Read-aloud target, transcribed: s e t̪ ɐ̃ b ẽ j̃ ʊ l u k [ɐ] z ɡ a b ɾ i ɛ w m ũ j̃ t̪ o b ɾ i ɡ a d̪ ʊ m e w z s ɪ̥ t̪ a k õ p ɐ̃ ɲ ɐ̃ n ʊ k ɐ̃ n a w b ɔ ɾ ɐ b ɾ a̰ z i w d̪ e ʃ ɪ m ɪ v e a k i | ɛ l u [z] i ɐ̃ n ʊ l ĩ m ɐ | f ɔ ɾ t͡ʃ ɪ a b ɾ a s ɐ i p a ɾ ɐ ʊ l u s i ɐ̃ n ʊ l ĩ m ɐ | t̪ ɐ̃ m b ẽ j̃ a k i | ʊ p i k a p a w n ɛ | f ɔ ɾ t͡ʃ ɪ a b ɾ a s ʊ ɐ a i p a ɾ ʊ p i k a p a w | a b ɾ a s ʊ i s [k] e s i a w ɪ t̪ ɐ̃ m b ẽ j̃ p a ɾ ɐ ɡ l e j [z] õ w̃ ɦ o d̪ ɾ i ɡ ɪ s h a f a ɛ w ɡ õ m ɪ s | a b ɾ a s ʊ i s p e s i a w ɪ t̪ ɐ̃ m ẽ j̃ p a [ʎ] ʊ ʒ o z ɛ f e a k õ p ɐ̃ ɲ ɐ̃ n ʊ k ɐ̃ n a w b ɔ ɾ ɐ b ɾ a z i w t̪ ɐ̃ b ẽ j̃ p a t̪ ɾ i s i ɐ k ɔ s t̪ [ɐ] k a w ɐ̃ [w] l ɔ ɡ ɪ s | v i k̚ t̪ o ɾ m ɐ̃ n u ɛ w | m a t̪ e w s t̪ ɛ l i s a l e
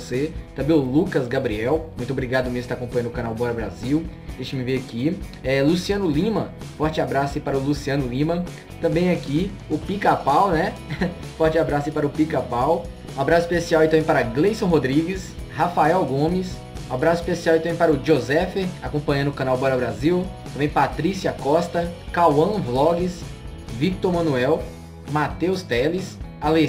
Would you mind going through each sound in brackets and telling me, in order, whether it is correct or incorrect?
correct, incorrect, incorrect, incorrect, incorrect, correct, incorrect

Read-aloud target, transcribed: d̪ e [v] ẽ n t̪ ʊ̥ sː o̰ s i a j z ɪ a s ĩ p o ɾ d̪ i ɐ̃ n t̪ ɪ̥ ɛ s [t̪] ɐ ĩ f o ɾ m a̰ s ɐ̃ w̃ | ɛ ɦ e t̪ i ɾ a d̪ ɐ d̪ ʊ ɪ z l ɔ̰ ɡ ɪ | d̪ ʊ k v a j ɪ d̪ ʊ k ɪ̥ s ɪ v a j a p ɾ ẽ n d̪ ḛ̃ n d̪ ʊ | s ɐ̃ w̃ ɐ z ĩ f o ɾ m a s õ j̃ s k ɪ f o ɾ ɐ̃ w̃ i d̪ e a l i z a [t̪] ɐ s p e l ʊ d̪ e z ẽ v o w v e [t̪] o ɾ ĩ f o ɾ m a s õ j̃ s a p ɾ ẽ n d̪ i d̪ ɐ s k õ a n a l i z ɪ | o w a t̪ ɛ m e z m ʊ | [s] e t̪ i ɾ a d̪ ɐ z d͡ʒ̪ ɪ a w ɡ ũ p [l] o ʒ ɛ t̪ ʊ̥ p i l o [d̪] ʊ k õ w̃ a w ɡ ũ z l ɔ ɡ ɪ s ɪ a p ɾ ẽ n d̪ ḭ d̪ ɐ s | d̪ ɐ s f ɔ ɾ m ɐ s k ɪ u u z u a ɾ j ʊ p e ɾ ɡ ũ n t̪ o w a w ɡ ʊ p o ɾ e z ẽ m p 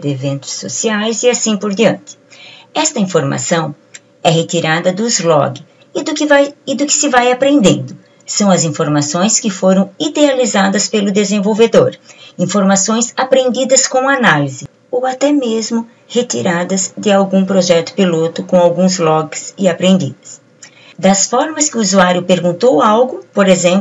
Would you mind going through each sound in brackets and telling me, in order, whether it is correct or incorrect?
correct, correct, incorrect, incorrect, incorrect, incorrect, incorrect

